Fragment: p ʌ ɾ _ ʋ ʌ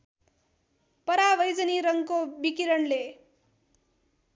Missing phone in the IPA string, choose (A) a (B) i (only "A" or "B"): A